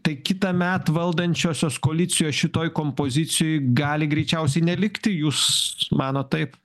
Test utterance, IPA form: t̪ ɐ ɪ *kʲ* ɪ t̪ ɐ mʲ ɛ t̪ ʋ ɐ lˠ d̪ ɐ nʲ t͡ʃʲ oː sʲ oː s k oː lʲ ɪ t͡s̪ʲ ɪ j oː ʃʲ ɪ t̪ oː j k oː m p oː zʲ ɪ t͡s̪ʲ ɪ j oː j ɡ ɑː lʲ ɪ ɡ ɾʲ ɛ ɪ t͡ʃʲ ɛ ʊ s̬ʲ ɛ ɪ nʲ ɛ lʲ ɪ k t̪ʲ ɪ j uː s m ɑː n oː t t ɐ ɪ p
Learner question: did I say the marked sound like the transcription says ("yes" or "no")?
yes